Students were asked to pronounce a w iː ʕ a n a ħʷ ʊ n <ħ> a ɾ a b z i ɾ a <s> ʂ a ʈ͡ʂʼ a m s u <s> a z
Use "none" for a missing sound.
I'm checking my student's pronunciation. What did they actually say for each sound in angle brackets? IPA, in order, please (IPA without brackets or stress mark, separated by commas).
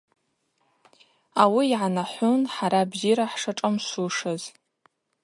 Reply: ħ, ħ, ʂ